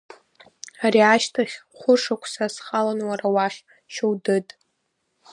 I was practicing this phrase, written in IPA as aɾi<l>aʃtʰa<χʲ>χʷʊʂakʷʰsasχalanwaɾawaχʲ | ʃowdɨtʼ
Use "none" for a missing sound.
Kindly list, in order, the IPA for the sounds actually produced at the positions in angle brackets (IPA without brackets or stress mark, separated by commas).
none, χʲ